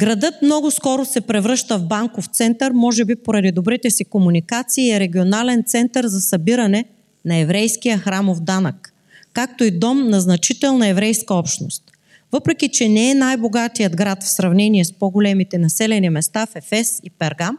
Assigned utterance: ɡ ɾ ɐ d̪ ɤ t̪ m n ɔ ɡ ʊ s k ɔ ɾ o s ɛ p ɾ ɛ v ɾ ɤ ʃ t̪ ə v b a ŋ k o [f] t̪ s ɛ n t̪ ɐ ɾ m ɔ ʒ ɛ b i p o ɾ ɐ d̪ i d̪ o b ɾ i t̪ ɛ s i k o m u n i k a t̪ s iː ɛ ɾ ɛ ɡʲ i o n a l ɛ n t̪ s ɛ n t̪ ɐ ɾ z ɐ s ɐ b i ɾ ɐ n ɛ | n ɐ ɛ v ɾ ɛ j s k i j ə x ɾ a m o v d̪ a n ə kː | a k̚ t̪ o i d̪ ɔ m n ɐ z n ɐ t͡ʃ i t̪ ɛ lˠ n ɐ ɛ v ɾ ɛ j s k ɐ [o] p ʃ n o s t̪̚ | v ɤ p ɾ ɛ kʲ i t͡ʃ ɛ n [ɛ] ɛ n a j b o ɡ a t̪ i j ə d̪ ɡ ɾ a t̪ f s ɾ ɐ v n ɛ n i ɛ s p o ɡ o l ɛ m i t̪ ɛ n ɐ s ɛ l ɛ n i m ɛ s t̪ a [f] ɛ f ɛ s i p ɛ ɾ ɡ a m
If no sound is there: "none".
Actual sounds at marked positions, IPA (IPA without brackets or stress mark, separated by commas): f, ɔ, ɛ, f